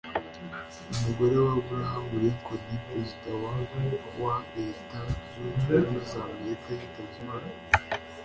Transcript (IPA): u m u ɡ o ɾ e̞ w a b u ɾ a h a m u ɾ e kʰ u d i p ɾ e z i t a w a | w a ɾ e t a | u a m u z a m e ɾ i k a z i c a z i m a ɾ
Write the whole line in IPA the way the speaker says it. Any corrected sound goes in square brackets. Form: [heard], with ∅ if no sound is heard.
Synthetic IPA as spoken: u m u ɡ o ɾ e̞ w a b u ɾ a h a m u ɾ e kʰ [o] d i p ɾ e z i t a w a | w a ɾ e t a | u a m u z a m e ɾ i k a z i [t] a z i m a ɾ